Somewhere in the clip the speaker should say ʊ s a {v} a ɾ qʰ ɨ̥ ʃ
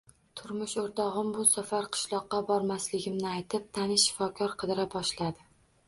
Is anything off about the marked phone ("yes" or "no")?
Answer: yes